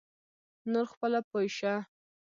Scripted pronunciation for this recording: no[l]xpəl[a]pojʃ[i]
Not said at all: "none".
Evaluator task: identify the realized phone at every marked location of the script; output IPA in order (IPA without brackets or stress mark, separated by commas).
ɾ, a, a